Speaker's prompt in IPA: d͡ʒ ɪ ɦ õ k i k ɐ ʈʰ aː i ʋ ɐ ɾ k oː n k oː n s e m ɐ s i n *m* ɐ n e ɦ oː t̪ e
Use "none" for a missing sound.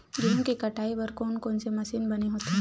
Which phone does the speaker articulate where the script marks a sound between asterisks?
b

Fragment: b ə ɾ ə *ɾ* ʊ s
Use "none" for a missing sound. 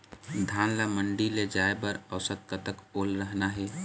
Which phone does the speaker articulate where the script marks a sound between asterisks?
none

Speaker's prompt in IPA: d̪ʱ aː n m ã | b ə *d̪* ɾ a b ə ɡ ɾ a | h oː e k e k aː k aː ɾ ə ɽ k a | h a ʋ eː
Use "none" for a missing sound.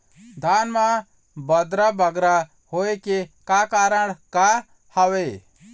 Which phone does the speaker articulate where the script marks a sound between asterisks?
d̪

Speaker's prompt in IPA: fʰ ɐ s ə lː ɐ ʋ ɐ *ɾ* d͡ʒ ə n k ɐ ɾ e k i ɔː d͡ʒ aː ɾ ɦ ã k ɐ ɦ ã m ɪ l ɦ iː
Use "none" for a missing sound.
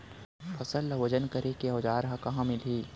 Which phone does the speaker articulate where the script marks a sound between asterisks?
none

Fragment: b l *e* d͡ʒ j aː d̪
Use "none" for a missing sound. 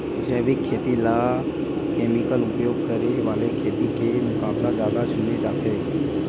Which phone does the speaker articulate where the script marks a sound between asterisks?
a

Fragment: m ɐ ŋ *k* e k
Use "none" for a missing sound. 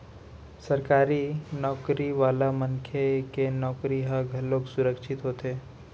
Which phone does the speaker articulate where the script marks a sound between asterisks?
kʰ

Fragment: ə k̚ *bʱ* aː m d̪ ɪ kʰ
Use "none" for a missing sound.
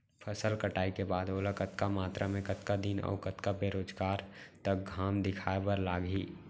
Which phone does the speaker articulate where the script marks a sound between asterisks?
ɡʱ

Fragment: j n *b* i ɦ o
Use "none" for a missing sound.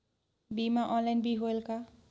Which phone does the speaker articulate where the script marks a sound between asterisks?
b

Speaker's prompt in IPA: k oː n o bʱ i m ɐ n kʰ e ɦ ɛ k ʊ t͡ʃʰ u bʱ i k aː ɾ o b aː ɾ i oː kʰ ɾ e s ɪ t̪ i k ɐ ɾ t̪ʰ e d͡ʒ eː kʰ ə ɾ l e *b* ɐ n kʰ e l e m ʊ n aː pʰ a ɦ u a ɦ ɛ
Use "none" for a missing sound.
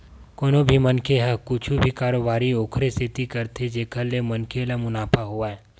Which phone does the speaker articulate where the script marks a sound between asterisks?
m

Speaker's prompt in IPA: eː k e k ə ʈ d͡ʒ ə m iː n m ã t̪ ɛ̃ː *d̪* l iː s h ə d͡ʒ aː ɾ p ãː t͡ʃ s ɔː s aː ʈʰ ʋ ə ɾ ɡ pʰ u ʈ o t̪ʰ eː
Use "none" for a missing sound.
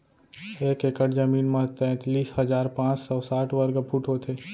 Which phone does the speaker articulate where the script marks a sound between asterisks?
t̪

